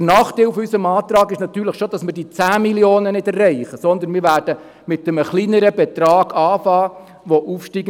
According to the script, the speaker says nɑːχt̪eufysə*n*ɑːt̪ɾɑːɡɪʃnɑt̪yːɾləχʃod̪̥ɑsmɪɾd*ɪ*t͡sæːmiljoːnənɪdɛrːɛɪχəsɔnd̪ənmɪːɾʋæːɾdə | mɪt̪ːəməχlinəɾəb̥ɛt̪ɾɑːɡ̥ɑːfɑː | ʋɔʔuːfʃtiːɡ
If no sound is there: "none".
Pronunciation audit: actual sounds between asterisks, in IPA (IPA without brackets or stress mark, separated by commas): m, i